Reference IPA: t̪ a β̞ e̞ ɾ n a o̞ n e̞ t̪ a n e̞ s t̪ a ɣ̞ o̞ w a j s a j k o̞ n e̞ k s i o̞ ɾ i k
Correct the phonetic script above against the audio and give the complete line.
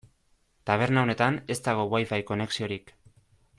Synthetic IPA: t̪ a β̞ e̞ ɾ n a o̞ n e̞ t̪ a n e̞ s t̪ a ɣ̞ o̞ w a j f a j k o̞ n e̞ k s i o̞ ɾ i k